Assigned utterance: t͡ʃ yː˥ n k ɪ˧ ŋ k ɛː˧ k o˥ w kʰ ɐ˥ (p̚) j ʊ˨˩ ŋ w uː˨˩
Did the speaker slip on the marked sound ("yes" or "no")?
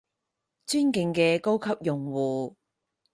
no